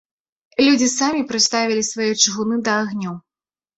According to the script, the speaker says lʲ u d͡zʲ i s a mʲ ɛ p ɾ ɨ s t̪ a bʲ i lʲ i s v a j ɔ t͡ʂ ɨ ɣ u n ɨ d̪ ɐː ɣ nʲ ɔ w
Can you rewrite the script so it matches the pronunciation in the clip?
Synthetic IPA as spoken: lʲ u d͡zʲ i s a mʲ i p ɾ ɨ s t̪ a vʲ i lʲ i s v a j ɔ t͡ʂ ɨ ɣ u n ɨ d̪ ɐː ɣ nʲ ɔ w

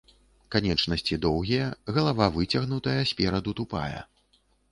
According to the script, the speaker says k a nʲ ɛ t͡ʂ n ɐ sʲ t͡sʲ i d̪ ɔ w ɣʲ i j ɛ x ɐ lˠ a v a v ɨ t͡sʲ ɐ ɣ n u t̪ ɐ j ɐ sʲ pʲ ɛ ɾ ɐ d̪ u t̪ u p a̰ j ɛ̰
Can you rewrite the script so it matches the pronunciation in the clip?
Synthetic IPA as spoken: k a nʲ ɛ t͡ʂ n ɐ sʲ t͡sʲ i d̪ ɔ w ɣʲ i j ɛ ɣ ɐ lˠ a v a v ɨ t͡sʲ ɐ ɣ n u t̪ ɐ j ɐ sʲ pʲ ɛ ɾ ɐ d̪ u t̪ u p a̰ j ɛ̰

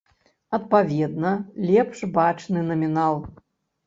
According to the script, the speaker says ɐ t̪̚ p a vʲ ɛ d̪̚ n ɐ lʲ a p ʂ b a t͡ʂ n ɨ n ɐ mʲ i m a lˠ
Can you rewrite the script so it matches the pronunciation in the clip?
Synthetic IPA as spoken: ɐ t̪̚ p a vʲ ɛ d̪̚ n ɐ lʲ ɛ p ʂ b a t͡ʂ n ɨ n ɐ mʲ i n a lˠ

